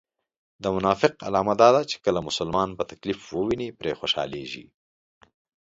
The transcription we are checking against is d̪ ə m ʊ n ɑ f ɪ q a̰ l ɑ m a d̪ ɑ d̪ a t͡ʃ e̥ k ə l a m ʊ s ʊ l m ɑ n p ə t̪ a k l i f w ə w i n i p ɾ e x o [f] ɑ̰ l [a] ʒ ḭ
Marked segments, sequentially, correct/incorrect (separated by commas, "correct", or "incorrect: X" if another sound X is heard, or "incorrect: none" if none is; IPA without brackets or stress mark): incorrect: ʃ, incorrect: e